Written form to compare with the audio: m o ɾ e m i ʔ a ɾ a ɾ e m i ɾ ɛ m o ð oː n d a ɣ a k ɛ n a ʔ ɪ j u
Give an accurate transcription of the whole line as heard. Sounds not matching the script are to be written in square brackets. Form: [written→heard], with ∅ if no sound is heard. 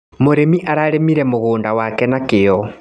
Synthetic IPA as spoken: m o ɾ e m i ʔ a ɾ a ɾ e m i ɾ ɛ m o [ð→ɣ] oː n d a [ɣ→w] a k ɛ n a [ʔ→k] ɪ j [u→ɔ]